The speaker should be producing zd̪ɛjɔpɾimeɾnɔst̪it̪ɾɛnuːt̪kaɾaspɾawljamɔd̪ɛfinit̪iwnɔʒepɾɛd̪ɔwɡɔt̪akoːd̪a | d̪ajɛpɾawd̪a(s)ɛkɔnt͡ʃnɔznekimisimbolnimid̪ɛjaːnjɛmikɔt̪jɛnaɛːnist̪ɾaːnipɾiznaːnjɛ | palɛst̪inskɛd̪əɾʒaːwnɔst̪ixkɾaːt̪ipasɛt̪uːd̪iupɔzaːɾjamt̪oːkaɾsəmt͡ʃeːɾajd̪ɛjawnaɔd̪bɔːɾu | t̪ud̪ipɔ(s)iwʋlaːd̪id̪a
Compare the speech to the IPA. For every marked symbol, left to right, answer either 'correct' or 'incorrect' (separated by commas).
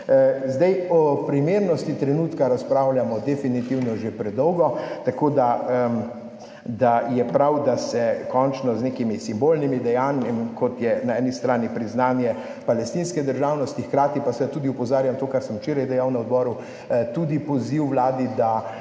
correct, incorrect